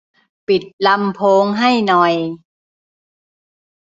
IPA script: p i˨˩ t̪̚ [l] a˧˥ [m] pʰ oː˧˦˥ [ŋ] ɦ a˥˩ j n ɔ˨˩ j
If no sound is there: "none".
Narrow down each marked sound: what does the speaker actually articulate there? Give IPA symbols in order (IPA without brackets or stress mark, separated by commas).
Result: l, m, ŋ